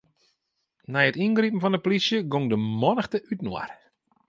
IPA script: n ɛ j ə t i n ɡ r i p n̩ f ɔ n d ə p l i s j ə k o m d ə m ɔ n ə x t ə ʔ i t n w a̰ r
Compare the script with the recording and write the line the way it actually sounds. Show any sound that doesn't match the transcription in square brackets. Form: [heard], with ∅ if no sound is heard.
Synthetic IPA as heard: n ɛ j ə t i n ɡ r i p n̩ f ɔ n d ə p l i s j ə [ɡ] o [ŋ] d ə m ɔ n ə x t ə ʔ [y] t n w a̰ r